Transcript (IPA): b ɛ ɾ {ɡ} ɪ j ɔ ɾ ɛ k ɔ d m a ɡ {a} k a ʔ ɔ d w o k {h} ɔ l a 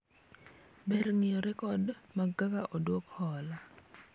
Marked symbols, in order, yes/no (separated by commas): no, yes, yes